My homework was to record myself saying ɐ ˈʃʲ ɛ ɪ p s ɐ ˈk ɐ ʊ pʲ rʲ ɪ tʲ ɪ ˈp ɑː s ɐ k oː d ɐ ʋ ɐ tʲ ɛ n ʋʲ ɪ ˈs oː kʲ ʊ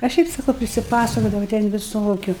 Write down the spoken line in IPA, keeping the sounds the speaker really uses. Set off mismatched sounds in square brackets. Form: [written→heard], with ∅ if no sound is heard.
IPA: ɐ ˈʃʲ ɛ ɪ p s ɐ ˈk ɐ ʊ pʲ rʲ ɪ [tʲ→sʲ] ɪ ˈp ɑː s ɐ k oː d ɐ ʋ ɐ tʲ ɛ n ʋʲ ɪ ˈs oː kʲ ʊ